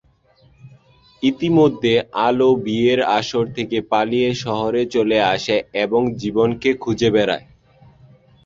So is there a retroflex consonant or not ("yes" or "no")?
no